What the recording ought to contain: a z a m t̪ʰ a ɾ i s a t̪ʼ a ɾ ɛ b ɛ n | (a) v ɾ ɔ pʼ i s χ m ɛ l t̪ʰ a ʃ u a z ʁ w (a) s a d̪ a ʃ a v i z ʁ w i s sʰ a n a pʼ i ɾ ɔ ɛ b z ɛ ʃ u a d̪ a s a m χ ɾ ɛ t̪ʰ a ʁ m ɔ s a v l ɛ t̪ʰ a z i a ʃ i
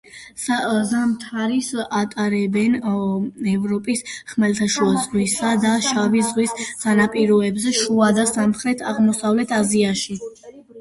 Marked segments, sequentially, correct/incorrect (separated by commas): incorrect, incorrect